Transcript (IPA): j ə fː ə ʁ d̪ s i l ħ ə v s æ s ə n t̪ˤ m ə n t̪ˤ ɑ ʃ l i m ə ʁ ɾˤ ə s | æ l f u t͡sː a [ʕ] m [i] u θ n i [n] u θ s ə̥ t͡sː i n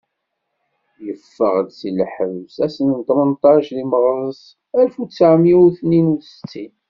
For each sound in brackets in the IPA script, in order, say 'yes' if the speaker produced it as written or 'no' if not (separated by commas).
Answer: yes, yes, yes